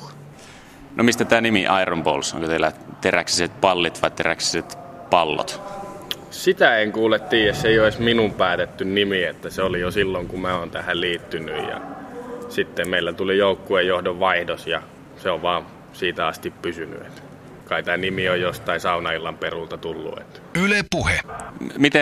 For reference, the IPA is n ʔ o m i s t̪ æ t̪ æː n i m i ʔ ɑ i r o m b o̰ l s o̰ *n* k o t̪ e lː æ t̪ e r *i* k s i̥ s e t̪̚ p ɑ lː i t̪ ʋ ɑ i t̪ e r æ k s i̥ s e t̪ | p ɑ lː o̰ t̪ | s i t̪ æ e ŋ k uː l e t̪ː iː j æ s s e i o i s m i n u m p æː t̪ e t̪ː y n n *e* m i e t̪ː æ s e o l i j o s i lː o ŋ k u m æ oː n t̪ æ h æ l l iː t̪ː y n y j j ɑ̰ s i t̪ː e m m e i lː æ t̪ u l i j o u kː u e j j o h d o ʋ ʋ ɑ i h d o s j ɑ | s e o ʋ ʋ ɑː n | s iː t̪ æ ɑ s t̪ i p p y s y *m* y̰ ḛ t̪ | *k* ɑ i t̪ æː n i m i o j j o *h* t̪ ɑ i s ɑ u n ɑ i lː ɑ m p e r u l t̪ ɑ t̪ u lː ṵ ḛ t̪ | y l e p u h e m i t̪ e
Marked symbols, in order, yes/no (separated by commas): no, no, no, no, yes, no